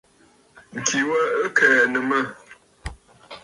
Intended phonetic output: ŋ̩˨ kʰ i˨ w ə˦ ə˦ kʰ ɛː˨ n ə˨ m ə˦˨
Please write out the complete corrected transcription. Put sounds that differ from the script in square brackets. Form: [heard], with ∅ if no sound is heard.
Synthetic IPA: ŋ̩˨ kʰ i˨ w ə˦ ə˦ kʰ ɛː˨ n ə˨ m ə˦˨